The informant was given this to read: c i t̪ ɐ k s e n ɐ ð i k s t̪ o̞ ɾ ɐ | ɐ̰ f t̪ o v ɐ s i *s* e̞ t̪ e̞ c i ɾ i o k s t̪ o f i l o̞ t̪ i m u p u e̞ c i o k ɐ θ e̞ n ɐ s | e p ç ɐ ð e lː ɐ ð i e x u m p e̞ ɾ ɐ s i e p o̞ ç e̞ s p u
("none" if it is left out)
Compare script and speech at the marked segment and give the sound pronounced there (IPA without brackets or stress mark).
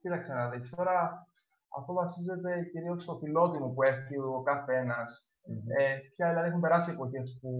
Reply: z